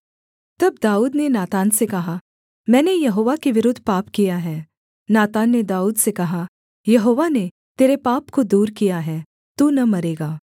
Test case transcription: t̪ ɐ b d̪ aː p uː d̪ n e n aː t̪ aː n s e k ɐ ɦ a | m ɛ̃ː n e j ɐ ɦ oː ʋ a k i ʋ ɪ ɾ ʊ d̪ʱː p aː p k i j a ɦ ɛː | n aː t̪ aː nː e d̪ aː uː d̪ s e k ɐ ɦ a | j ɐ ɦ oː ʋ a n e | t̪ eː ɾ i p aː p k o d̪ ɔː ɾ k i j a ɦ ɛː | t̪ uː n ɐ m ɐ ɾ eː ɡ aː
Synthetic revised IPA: t̪ ɐ b d̪ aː uː d̪ n e n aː t̪ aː n s e k ɐ ɦ a | m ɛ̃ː n e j ɐ ɦ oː ʋ a k e ʋ ɪ ɾ ʊ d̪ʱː p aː p k i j a ɦ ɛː | n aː t̪ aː nː e d̪ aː uː d̪ s e k ɐ ɦ a | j ɐ ɦ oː ʋ a n e | t̪ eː ɾ e p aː p k o d̪ uː ɾ k i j a ɦ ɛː | t̪ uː n ɐ m ɐ ɾ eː ɡ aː